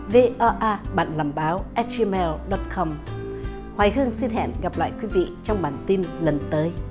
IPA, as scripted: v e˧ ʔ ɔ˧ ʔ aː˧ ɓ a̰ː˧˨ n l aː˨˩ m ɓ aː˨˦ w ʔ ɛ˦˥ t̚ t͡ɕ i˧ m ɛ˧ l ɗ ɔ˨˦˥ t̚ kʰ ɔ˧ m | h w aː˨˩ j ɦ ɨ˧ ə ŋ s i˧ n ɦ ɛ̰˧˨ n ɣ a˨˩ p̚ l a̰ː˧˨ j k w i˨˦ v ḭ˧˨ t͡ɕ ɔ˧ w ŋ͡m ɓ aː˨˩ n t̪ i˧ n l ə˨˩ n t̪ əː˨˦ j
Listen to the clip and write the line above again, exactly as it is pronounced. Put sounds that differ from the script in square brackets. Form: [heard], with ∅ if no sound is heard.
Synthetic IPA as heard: v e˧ ʔ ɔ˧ ʔ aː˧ ɓ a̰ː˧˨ n l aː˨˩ m ɓ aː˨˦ w ʔ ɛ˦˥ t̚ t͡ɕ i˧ m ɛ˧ l ɗ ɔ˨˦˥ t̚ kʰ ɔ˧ m | h w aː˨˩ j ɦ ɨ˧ ə ŋ s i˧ n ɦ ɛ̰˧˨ n ɣ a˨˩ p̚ l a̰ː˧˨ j k w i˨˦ v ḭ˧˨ t͡ɕ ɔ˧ w ŋ͡m ɓ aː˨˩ n t̪ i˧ n l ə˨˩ n t̪ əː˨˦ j

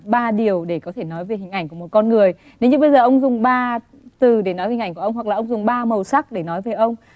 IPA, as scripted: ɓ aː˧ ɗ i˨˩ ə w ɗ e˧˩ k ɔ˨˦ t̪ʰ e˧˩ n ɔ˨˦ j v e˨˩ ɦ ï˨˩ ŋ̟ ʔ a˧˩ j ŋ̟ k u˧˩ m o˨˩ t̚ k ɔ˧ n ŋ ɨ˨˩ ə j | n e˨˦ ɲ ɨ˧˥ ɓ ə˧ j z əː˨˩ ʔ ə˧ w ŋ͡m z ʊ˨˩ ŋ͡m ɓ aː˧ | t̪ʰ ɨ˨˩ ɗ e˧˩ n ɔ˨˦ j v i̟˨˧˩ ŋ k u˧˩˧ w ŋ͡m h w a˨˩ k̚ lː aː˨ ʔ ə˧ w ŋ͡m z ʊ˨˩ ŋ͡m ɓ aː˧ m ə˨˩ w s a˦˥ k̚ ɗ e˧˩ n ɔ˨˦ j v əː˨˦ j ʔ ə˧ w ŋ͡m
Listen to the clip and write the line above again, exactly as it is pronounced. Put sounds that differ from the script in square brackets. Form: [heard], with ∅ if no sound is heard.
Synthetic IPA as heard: ɓ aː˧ ɗ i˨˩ ə w ɗ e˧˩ k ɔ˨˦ t̪ʰ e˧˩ n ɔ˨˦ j v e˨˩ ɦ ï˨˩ ŋ̟ ʔ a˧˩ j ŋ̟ k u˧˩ m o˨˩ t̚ k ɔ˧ n ŋ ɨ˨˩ ə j | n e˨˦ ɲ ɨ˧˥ ɓ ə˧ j z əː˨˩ ʔ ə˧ w ŋ͡m z ʊ˨˩ ŋ͡m ɓ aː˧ | [t̪] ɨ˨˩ ɗ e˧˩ n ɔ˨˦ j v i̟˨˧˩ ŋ k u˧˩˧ w ŋ͡m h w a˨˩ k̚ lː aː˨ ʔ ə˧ w ŋ͡m z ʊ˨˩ ŋ͡m ɓ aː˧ m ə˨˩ w s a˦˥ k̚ ɗ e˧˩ n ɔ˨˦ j v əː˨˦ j ʔ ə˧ w ŋ͡m

